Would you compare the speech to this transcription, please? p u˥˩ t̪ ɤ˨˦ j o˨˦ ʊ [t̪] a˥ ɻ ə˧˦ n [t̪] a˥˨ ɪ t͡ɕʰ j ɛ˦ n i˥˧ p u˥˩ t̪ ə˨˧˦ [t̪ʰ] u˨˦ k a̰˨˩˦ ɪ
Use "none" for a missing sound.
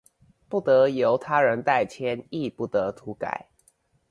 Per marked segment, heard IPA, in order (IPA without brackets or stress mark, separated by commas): t̪ʰ, t̪, t̪ʰ